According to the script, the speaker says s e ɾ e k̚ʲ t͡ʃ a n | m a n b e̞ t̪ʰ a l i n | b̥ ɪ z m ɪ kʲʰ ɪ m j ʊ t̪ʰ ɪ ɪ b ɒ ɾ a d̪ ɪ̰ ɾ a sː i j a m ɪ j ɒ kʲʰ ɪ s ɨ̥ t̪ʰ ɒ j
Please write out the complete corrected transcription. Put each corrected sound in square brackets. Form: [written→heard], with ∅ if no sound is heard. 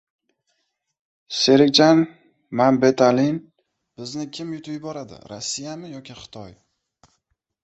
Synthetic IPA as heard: s e ɾ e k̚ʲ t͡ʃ a n | m a n b e̞ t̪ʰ a l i n | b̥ ɪ z [m→n] ɪ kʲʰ ɪ m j ʊ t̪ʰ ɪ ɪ b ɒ ɾ a d̪ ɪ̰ ɾ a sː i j a m ɪ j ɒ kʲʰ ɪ [s→χ] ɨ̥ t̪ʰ ɒ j

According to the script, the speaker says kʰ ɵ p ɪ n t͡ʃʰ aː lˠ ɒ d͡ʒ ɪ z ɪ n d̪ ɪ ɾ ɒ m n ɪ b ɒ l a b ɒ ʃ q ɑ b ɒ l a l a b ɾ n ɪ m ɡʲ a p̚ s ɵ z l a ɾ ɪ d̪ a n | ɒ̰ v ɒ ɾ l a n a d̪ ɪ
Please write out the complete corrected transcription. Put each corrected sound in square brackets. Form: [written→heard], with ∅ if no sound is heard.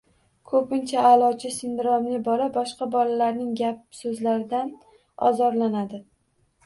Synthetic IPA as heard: kʰ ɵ p ɪ n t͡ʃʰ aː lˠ ɒ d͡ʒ ɪ [z→s] ɪ n d̪ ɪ ɾ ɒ m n ɪ b ɒ l a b ɒ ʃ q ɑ b ɒ l a l a [b→∅] ɾ n ɪ [m→ŋ] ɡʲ a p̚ s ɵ z l a ɾ ɪ d̪ a n | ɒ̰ [v→z] ɒ ɾ l a n a d̪ ɪ

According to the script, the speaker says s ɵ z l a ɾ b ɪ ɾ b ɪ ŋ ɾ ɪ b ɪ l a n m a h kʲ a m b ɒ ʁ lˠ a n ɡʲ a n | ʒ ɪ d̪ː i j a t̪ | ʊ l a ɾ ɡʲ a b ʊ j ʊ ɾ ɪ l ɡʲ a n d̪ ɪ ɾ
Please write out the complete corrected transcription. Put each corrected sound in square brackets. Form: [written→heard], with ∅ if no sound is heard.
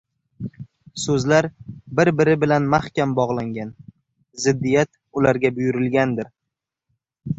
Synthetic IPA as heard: s ɵ z l a ɾ b ɪ ɾ b ɪ [ŋ→∅] ɾ ɪ b ɪ l a n m a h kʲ a m b ɒ ʁ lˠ a [n→ŋ] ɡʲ a n | [ʒ→z] ɪ d̪ː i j a t̪ | ʊ l a ɾ ɡʲ a b ʊ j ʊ ɾ ɪ l ɡʲ a n d̪ ɪ ɾ

